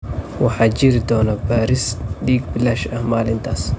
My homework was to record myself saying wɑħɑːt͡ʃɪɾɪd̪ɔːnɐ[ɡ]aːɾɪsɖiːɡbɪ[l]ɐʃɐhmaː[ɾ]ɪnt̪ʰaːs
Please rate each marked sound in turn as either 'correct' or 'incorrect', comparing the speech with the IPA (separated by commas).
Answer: incorrect, correct, incorrect